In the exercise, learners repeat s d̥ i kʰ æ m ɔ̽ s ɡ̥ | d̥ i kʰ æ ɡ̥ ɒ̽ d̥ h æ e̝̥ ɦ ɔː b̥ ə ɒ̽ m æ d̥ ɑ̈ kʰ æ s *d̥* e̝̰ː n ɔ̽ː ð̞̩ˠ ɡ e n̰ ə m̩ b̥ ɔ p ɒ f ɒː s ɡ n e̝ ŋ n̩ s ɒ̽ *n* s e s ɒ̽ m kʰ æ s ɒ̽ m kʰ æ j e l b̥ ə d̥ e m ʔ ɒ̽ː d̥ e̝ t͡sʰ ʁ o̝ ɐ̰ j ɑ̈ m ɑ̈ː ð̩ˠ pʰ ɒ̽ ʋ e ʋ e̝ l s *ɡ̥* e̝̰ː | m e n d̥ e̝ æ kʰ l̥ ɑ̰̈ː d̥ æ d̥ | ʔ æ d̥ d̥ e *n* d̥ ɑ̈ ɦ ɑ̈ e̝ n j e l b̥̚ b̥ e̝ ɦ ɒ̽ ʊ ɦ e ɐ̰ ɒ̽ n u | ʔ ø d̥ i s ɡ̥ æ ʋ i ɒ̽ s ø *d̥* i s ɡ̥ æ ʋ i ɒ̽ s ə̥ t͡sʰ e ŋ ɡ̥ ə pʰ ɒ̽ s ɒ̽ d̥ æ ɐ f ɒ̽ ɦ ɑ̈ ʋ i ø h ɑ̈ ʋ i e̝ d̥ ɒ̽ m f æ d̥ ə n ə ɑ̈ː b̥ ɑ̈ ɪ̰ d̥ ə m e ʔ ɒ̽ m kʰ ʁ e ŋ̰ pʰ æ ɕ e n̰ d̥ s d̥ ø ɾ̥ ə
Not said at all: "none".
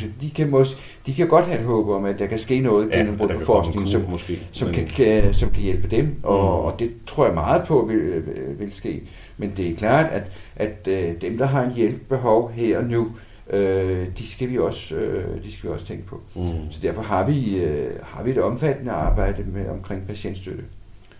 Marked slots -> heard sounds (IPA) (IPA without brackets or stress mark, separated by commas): ɡ̥, m, ɡ̥, m, d̥